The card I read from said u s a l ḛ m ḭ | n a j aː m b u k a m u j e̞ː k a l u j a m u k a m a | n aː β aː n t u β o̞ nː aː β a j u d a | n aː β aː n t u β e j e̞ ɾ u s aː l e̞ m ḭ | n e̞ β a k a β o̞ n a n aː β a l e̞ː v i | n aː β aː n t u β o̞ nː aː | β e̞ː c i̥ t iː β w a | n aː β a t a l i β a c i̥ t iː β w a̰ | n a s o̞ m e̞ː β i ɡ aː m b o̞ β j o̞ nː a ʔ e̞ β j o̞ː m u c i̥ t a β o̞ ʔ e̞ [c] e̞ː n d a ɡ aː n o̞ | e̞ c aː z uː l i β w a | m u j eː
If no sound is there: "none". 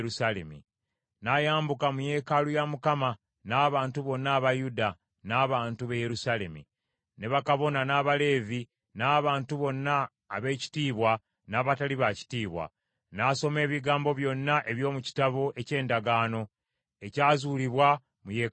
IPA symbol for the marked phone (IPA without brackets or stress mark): c